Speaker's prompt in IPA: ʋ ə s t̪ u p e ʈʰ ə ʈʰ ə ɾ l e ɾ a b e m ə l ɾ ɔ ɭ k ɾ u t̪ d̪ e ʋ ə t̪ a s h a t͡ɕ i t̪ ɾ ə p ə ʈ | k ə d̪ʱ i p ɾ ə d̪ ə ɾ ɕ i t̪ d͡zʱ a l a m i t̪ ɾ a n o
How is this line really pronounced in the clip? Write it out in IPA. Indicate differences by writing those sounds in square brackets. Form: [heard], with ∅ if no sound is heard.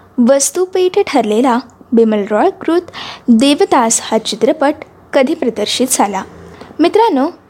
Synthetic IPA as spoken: ʋ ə s t̪ u p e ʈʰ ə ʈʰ ə ɾ l e [l] a b e m ə l ɾ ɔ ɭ k ɾ u t̪ d̪ e ʋ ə t̪ a s h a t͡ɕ i t̪ ɾ ə p ə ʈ | k ə d̪ʱ i p ɾ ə d̪ ə ɾ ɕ i t̪ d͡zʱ a l a m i t̪ ɾ a n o